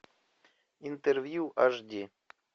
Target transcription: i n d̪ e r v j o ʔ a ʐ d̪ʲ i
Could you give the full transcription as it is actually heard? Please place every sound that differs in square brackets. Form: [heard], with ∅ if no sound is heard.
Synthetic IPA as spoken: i n [t̪] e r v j [u] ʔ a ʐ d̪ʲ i